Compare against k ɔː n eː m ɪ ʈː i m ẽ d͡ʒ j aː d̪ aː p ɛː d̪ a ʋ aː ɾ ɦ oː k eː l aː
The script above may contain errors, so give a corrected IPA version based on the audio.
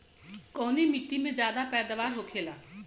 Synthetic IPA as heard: k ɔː n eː m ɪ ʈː i m ẽ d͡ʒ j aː d̪ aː p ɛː d̪ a ʋ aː ɾ ɦ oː kʰ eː l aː

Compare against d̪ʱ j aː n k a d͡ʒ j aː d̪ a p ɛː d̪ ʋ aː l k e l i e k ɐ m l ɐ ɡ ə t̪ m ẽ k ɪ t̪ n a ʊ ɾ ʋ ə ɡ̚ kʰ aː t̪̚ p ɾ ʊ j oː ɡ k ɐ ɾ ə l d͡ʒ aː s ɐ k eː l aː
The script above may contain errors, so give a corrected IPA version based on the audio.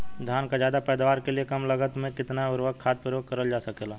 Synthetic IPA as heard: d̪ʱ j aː n k a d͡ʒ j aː d̪ a p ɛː d̪ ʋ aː ɾ k e l i e k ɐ m l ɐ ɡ ə t̪ m ẽ k ɪ t̪ n a ʊ ɾ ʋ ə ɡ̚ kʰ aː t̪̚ p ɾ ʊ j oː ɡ k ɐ ɾ ə l d͡ʒ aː s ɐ k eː l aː

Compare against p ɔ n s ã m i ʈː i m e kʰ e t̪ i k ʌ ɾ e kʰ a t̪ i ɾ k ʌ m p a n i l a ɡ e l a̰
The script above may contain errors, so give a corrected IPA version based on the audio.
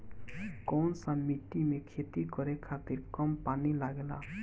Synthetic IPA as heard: k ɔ n s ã m i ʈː i m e kʰ e t̪ i k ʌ ɾ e kʰ a t̪ i ɾ k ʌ m p a n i l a ɡ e l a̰

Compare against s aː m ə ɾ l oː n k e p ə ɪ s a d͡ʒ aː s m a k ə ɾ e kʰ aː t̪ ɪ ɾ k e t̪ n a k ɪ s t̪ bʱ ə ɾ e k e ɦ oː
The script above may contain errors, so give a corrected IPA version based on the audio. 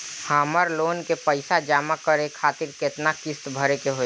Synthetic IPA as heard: h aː m ə ɾ l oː n k e p ə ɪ s a d͡ʒ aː m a k ə ɾ e kʰ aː t̪ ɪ ɾ k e t̪ n a k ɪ s t̪ bʱ ə ɾ e k e ɦ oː

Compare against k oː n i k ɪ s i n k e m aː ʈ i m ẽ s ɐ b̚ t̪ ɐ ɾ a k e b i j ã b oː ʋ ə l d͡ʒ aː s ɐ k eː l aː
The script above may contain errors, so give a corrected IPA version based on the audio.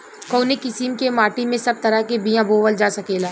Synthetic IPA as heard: k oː n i k ɪ s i m k e m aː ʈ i m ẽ s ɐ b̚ t̪ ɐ ɾ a k e b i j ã b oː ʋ ə l d͡ʒ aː s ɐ k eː l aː

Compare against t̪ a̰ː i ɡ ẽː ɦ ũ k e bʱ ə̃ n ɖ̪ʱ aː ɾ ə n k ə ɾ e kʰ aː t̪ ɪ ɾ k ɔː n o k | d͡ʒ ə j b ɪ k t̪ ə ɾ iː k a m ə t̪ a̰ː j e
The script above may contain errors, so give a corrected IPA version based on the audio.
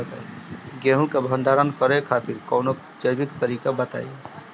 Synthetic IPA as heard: t̪ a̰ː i ɡ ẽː ɦ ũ k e bʱ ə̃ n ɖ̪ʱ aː ɾ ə n k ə ɾ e kʰ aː t̪ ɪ ɾ k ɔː n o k | d͡ʒ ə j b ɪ k t̪ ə ɾ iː k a b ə t̪ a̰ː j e

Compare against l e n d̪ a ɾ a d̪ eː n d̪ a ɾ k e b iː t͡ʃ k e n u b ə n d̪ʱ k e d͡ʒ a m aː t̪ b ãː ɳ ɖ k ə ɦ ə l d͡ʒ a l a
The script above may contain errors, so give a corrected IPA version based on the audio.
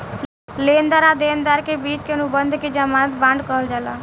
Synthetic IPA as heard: l e n d̪ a ɾ a d̪ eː n d̪ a ɾ k e b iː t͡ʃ k e n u b ə n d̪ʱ k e d͡ʒ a m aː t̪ b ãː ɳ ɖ k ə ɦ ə l d͡ʒ a l a

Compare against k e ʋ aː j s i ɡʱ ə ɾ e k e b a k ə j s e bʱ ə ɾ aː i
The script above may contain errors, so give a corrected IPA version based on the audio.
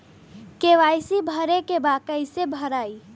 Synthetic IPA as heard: k e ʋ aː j s i bʱ ə ɾ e k e b a k ə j s e bʱ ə ɾ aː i

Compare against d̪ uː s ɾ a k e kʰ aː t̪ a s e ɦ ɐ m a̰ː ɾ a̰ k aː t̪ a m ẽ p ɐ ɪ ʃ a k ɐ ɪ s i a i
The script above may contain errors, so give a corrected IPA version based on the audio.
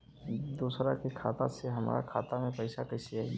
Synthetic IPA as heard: d̪ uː s ɾ a k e kʰ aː t̪ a s e ɦ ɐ m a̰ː ɾ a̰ kʰ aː t̪ a m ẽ p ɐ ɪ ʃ a k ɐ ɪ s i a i

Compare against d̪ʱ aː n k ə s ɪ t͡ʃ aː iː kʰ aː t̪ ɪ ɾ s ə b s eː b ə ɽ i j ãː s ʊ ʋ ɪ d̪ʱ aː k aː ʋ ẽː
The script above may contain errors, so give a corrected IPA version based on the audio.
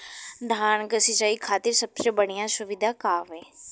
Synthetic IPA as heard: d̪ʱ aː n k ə s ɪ t͡ʃ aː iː kʰ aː t̪ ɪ ɾ s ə b s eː b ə ɽ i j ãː s ʊ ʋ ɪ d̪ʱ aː k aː ʋ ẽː

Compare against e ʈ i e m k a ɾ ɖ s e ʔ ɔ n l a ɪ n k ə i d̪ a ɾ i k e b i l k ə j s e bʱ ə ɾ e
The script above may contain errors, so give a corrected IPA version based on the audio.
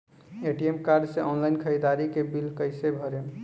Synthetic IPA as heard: e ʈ i e m k a ɾ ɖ s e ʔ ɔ n l a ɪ n kʰ ə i d̪ a ɾ i k e b i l k ə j s e bʱ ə ɾ e

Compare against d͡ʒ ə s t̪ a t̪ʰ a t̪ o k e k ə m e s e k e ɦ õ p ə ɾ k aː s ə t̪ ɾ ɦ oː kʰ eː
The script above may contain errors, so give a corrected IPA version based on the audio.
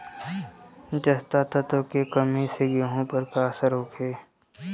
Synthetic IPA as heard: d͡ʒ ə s t̪ a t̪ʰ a t̪ o k e k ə m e s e ɡ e ɦ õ p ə ɾ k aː s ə ɾ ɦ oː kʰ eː

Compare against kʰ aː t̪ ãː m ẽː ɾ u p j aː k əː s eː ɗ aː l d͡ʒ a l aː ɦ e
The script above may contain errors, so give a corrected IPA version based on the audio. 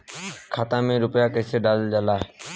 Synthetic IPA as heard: kʰ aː t̪ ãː m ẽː ɾ ʊ p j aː k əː s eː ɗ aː l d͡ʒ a l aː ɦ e

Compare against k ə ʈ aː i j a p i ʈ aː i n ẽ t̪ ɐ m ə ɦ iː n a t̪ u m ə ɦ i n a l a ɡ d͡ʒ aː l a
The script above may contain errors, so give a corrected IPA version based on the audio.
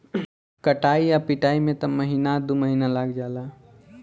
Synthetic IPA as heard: k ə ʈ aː i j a p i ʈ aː i m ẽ t̪ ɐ m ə ɦ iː n a d̪ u m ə ɦ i n a l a ɡ d͡ʒ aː l a

